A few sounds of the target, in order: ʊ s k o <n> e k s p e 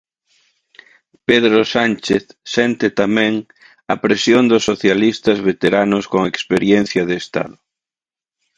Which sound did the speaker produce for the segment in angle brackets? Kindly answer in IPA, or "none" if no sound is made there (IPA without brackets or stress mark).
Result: ŋ